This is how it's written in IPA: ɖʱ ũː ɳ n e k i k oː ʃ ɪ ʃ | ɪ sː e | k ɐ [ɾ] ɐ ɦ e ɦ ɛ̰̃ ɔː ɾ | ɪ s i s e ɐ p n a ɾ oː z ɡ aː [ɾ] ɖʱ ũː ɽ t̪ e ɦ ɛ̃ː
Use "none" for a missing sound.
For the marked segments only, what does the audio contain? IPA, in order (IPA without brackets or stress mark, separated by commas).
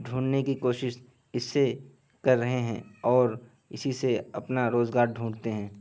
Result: ɾː, ɾ